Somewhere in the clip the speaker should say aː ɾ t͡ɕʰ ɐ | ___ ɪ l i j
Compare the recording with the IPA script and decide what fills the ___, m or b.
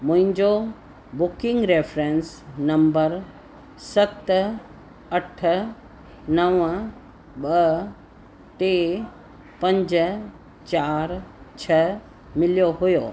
m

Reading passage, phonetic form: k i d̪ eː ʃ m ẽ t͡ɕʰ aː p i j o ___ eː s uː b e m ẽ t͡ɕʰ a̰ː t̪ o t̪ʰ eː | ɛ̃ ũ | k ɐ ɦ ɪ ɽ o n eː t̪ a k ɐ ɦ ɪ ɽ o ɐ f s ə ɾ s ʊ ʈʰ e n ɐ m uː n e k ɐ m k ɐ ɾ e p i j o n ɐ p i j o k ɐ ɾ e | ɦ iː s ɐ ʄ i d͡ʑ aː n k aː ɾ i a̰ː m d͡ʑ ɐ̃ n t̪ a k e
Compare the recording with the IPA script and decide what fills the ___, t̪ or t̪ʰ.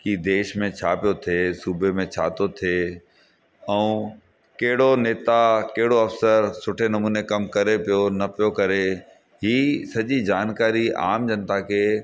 t̪ʰ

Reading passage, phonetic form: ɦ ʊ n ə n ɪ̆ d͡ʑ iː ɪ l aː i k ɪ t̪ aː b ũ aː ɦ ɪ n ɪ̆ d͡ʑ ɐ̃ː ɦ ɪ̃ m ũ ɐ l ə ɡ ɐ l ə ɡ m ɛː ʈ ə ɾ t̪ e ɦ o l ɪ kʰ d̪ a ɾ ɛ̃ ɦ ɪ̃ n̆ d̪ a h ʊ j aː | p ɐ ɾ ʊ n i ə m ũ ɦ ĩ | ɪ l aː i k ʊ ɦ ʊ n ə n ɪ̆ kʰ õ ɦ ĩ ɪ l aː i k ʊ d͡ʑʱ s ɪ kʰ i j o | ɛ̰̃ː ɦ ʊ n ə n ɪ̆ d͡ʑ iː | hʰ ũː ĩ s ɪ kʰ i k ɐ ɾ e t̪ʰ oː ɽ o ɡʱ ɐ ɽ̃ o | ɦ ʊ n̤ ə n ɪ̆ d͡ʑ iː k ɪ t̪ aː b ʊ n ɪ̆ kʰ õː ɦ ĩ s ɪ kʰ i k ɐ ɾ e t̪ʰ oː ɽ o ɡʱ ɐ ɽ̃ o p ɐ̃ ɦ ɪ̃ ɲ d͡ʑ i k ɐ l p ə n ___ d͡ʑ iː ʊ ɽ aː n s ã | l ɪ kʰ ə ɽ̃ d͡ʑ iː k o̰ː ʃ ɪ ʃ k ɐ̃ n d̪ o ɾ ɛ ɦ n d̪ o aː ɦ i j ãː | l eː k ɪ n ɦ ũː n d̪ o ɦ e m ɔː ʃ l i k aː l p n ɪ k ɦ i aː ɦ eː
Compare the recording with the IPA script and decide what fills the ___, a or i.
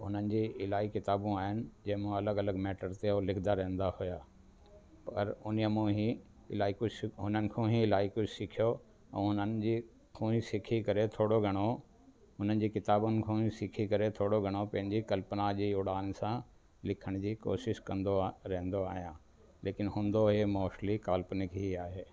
a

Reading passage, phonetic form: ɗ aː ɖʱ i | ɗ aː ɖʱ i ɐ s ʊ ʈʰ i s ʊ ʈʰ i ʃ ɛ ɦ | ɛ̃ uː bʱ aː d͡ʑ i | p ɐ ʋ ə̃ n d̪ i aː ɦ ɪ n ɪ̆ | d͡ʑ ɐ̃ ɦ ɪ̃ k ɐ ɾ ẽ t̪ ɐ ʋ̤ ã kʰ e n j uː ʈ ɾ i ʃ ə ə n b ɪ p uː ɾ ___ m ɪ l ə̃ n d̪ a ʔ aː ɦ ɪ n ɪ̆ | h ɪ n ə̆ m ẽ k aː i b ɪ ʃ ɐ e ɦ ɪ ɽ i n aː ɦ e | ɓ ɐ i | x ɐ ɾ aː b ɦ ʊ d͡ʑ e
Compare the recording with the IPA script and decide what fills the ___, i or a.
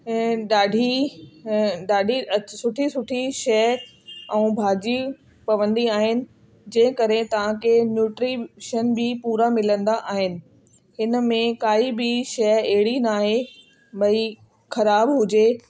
a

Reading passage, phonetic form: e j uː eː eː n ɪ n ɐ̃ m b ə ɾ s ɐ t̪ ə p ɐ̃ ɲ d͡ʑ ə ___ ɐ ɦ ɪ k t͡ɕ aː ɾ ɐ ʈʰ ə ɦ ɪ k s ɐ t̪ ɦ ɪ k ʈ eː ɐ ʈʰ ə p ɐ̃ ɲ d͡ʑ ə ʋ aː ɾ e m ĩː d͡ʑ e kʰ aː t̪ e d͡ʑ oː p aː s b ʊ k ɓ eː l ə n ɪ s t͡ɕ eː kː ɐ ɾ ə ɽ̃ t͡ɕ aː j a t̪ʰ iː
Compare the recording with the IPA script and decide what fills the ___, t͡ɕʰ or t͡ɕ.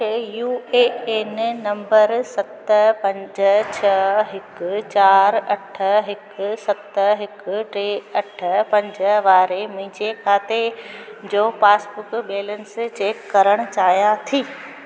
t͡ɕʰ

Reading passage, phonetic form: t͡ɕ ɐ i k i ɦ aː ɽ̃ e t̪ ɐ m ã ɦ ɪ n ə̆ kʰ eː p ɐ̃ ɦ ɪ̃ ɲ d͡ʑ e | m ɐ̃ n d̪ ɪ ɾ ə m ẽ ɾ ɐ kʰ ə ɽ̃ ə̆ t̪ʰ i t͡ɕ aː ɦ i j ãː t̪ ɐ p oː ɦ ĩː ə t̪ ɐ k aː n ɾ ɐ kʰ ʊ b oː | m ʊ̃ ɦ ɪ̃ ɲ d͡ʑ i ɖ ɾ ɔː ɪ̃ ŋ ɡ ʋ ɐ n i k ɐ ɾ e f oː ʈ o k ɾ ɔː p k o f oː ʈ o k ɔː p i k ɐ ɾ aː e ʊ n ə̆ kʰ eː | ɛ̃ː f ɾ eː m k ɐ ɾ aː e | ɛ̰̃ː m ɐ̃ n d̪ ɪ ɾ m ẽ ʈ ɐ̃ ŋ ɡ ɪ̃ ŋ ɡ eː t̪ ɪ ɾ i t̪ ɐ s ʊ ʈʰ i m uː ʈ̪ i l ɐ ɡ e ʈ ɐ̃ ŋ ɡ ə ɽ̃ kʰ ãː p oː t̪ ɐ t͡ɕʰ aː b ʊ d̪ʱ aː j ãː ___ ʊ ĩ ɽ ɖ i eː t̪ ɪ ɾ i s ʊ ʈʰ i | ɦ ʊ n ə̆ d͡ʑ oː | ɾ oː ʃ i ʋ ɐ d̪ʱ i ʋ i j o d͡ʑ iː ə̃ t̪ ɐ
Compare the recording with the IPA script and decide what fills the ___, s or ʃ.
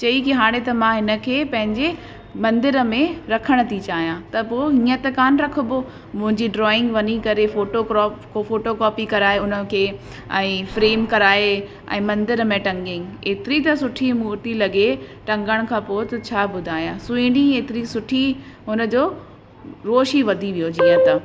s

